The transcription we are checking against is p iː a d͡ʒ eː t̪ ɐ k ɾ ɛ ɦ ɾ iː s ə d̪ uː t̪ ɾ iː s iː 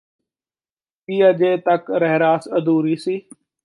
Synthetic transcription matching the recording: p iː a d͡ʒ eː t̪ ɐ k ɾ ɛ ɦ ɾ aː s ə d̪ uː ɾ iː s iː

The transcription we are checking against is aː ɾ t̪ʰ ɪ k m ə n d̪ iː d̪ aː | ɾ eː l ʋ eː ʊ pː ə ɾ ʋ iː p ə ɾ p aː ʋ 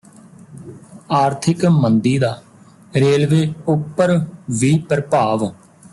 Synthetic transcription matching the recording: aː ɾ t̪ʰ ɪ k m ə n d̪ iː d̪ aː | ɾ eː l ʋ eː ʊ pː ə ɾ ʋ iː p ə ɾ p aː ʋ

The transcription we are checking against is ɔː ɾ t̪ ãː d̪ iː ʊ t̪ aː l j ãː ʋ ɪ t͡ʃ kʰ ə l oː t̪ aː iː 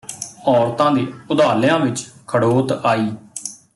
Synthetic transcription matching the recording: ɔː ɾ t̪ ãː d̪ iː ʊ d̪ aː l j ãː ʋ ɪ t͡ʃ kʰ ə ɽ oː t̪ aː iː

